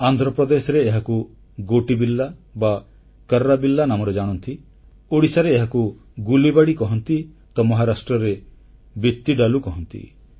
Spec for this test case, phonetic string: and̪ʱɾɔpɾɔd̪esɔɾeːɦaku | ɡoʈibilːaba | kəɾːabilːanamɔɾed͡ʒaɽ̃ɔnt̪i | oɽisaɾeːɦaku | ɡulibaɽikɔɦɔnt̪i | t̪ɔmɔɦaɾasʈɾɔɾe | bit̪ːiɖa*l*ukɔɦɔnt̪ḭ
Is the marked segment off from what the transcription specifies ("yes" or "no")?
no